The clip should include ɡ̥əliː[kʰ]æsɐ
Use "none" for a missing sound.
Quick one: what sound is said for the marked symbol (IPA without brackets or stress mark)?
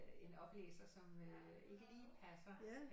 pʰ